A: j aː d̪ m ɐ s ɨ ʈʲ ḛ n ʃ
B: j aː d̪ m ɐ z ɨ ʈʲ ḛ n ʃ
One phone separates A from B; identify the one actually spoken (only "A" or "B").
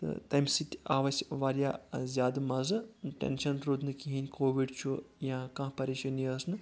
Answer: B